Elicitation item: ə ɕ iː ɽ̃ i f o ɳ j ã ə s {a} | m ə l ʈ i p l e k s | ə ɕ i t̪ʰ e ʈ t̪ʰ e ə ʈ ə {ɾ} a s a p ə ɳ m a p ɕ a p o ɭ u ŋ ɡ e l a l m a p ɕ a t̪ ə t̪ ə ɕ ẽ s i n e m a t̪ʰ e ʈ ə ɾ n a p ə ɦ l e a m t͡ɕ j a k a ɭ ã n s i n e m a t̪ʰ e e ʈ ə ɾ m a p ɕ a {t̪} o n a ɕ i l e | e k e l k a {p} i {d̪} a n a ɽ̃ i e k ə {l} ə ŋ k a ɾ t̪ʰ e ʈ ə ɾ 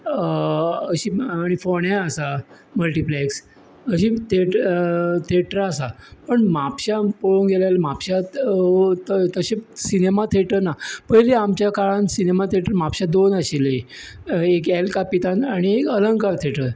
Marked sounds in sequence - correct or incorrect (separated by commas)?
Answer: correct, correct, incorrect, correct, incorrect, correct